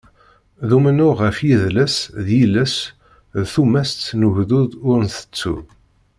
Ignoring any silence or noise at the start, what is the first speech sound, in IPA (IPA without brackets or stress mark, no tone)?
ð